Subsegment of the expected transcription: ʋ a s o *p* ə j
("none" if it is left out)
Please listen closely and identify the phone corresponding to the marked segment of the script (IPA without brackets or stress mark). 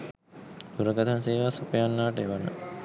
p